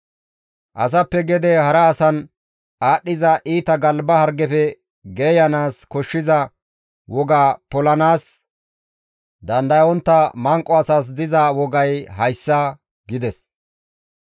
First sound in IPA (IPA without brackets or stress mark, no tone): ʔ